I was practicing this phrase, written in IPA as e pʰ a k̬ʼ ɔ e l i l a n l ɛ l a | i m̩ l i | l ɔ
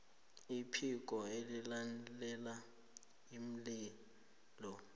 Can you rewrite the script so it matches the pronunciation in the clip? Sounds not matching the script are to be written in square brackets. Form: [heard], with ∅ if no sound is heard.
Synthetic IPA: [i] pʰ [i] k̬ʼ ɔ e l i l a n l ɛ l a | i m̩ l i | l ɔ